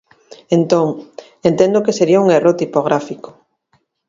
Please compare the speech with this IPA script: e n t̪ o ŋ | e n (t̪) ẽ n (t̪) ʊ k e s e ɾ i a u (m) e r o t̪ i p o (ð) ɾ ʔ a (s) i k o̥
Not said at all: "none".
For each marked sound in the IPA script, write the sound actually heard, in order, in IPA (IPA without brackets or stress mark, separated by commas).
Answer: t̪, d̪, ŋ, ɣ, f